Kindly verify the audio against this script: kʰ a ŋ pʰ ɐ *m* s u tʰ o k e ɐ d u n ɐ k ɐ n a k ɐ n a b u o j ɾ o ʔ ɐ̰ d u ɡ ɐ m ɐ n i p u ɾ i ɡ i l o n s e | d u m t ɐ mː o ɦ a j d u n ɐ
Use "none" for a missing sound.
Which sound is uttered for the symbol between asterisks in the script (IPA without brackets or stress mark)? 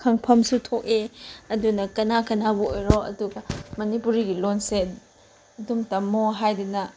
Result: m